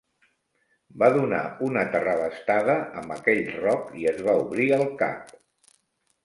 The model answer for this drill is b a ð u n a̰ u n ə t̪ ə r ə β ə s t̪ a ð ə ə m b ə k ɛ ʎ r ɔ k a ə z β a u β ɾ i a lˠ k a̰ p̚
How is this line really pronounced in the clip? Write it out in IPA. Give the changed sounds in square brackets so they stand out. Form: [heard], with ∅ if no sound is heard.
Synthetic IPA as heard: b a ð u n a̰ u n ə t̪ ə r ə β ə s t̪ a ð ə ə m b ə k ɛ ʎ r ɔ k [i] ə z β a u β ɾ i [ə] lˠ k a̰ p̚